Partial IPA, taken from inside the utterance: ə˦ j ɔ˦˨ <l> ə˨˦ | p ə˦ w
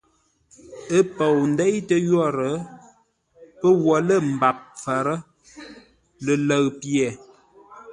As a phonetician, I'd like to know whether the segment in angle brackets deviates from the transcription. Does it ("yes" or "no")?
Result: yes